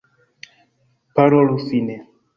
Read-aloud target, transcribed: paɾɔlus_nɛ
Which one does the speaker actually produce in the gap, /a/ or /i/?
i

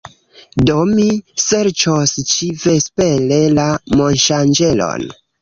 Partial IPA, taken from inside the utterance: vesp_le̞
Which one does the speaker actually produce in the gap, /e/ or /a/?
e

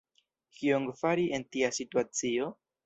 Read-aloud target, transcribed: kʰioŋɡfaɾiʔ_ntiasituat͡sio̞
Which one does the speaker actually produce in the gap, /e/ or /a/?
e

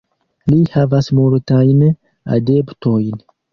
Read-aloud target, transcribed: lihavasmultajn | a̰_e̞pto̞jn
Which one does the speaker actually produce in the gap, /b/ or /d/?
d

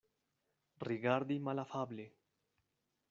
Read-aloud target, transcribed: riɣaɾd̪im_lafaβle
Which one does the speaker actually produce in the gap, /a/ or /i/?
a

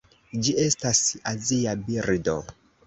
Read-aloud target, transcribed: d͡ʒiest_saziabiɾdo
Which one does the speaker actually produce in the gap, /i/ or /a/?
a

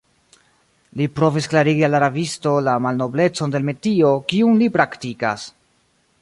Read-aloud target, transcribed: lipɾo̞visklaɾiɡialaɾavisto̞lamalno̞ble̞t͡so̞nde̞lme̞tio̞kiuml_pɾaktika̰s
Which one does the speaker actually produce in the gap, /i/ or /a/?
i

